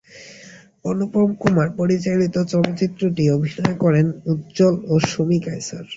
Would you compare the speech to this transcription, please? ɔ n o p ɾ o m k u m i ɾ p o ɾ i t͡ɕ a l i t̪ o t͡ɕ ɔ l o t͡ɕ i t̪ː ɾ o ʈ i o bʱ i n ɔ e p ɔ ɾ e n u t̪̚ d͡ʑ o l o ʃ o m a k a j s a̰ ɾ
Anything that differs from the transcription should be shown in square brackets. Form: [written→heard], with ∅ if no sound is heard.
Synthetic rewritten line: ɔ n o p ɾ o m k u m [i→a] ɾ p o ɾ i t͡ɕ a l i t̪ o t͡ɕ ɔ l o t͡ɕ i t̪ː ɾ o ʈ i o bʱ i n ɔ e [p→k] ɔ ɾ e n u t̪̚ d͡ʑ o l o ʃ o m [a→i] k a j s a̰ ɾ

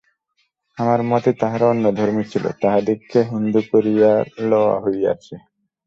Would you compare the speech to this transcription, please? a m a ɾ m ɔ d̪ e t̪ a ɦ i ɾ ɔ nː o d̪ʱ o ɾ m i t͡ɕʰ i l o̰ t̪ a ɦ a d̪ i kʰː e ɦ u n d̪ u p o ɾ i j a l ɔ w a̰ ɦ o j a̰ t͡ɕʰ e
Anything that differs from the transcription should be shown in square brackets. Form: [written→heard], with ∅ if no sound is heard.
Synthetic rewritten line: a m a ɾ m ɔ [d̪→t̪] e t̪ a ɦ [i→a] ɾ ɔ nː o d̪ʱ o ɾ m i t͡ɕʰ i l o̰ t̪ a ɦ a d̪ i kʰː e ɦ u n d̪ u [p→k] o ɾ i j a l ɔ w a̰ ɦ o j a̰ t͡ɕʰ e

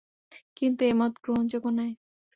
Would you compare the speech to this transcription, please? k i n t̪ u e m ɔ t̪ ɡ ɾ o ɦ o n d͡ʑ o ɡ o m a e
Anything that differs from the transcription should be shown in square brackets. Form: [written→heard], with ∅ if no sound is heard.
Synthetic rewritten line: k i n t̪ u e m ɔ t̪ ɡ ɾ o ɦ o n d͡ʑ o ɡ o [m→n] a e

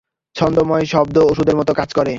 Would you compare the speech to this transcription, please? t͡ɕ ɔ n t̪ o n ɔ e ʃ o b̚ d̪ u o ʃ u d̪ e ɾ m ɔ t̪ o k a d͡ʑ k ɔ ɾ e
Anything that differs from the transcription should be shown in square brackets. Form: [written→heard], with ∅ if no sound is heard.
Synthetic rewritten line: [t͡ɕ→t͡ɕʰ] ɔ n [t̪→d̪] o [n→m] ɔ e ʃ [o→ɔ] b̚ d̪ [u→o] o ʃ u d̪ e ɾ m ɔ t̪ o k a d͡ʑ k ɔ ɾ e

